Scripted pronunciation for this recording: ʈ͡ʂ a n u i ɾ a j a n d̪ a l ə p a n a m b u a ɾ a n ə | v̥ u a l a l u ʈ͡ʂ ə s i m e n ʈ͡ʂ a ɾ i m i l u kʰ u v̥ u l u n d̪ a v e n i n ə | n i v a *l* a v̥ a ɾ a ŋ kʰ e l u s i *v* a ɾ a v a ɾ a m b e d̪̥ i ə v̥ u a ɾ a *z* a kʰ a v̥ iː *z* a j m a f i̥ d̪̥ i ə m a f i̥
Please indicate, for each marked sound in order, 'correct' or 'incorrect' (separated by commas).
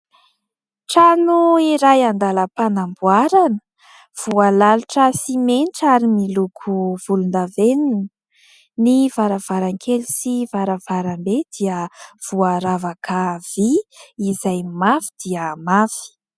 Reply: incorrect, correct, incorrect, correct